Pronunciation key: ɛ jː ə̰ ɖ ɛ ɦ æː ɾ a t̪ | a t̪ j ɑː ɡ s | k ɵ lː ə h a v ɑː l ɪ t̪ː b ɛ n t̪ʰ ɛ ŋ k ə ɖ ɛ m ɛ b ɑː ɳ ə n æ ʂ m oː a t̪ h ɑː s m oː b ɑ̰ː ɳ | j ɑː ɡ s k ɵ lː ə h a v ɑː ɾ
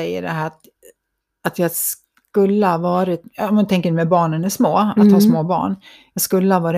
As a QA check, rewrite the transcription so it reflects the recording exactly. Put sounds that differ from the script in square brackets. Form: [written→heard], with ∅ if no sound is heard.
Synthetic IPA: ɛ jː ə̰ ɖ ɛ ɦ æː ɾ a t̪ | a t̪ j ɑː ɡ s | k ɵ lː ə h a v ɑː [l→ɾ] ɪ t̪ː [b→m] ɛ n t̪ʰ ɛ ŋ k ə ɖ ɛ m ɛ b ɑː ɳ ə n æ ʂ m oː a t̪ h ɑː s m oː b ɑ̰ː ɳ | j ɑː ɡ s k ɵ lː ə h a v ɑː ɾ